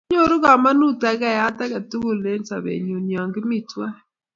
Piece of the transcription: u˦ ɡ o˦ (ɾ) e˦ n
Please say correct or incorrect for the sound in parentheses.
incorrect